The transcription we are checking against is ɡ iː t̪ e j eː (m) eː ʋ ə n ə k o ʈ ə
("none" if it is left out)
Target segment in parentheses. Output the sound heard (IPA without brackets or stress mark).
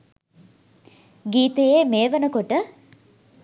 m